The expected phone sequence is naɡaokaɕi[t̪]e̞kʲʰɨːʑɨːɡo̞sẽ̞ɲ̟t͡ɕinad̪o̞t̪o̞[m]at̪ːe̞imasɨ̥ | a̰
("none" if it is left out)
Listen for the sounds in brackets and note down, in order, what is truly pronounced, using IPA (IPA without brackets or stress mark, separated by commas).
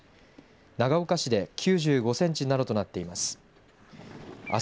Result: d̪, n